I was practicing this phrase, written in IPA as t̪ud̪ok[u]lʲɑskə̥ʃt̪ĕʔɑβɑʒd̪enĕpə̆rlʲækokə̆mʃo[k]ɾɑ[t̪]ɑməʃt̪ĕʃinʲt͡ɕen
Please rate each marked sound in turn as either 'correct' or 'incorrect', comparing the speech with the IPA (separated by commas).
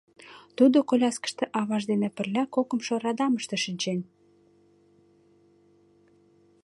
incorrect, incorrect, incorrect